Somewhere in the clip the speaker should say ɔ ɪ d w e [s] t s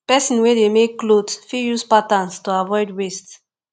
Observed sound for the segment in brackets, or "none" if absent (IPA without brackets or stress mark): s